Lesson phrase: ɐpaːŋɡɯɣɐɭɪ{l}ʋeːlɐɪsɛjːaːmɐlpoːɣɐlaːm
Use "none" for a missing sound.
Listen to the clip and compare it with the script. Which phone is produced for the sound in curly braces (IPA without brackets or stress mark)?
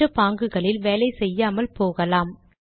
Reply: l